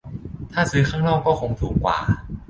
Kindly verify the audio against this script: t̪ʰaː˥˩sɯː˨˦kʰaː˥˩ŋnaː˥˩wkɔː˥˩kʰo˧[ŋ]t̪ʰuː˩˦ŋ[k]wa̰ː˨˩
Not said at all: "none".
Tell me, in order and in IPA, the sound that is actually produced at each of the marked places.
ŋ, k

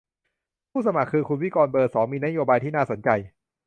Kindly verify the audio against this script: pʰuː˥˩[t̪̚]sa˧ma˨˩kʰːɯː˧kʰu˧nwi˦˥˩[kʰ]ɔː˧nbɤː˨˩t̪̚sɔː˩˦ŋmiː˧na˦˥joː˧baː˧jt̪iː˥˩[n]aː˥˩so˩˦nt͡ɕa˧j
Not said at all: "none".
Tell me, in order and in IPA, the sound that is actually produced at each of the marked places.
none, k, n

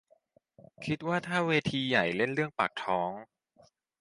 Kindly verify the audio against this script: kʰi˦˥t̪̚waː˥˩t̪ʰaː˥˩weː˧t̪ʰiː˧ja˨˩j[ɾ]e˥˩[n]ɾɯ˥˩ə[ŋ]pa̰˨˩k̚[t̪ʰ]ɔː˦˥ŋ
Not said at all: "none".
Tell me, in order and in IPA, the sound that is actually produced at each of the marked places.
l, n, ŋ, t̪ʰ

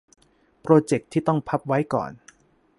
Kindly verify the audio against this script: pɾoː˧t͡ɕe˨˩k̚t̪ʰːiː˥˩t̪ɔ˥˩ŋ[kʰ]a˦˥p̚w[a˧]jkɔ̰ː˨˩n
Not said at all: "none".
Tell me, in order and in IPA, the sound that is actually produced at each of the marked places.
pʰ, a˦˥

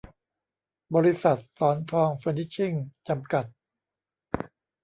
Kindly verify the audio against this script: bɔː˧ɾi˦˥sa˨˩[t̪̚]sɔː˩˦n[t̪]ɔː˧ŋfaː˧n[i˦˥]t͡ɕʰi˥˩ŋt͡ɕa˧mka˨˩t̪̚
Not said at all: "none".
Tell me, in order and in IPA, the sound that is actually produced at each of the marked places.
t̪̚, t̪ʰ, i˦˥

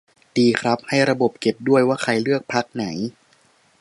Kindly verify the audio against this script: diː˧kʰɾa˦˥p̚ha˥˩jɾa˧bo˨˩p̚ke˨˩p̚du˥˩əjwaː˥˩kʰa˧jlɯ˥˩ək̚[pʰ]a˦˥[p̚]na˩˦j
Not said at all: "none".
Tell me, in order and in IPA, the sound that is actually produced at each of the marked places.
pʰ, k̚

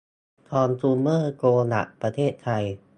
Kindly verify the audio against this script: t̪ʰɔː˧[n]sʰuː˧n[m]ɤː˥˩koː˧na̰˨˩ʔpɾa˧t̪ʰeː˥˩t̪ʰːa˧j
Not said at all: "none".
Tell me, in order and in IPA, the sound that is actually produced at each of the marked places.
n, m

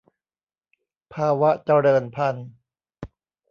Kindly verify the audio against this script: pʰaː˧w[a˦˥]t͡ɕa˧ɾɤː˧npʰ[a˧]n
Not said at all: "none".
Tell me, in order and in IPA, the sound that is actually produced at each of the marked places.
a˦˥, a˧

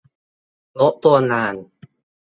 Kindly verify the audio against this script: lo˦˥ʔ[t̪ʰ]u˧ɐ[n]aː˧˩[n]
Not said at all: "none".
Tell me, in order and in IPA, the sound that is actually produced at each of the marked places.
t̪, n, n

